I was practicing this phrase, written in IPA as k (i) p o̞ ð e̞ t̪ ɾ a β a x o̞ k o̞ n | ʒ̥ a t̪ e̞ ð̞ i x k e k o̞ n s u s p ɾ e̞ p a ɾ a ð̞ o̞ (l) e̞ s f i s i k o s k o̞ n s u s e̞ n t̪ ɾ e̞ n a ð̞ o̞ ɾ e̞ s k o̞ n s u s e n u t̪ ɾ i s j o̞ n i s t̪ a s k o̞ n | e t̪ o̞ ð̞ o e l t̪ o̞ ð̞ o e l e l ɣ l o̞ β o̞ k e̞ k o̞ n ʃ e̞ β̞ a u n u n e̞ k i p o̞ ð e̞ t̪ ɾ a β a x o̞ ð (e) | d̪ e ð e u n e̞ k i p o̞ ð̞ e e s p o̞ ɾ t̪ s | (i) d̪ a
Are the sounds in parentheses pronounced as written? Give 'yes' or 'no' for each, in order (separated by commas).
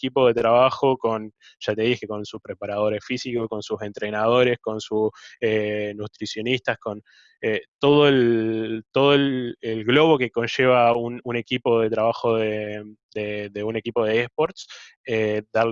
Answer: yes, no, yes, no